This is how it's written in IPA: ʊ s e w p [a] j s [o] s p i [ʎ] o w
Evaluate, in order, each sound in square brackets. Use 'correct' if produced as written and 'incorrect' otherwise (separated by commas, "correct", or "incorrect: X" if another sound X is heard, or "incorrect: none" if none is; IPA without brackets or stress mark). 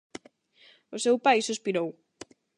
correct, incorrect: u, incorrect: ɾ